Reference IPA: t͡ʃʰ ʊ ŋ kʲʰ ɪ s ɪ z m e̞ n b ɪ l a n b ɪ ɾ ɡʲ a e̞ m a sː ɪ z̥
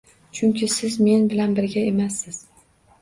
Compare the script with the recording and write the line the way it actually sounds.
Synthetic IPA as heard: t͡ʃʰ ʊ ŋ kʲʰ ɪ s ɪ z m e̞ n b ɪ l a n b ɪ ɾ ɡʲ a e̞ m a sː ɪ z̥